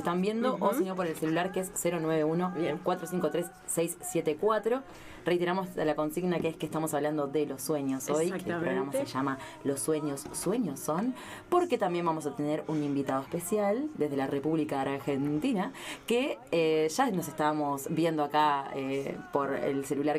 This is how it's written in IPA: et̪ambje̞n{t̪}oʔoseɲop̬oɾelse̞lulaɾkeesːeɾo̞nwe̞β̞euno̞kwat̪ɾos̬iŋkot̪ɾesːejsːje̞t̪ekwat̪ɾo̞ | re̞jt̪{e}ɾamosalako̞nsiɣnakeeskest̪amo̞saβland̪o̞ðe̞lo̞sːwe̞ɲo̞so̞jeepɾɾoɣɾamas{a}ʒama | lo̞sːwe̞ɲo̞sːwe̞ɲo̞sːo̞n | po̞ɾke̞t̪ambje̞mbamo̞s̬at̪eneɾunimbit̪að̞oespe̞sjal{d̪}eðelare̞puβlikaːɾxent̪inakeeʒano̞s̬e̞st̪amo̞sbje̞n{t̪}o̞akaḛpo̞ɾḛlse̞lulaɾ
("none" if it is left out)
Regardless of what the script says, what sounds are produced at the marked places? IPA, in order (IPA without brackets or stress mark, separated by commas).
d̪, e, e, d̪, d̪